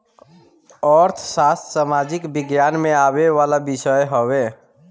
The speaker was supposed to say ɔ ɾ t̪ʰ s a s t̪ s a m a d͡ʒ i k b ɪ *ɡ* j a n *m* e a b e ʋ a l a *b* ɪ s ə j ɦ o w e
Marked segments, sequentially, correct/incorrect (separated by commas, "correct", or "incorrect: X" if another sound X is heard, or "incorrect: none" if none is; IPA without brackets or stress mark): correct, correct, correct